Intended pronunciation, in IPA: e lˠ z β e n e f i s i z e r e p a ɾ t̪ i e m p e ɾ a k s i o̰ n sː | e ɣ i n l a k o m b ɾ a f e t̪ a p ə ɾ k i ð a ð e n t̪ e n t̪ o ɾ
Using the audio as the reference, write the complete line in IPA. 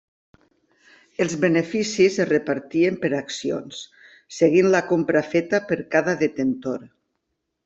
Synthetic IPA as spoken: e lˠ z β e n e f i s i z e r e p a ɾ t̪ i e m p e ɾ a k s i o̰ n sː | e ɣ i n l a k o m p ɾ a f e t̪ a p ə ɾ k a ð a ð e t̪ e n t̪ o ɾ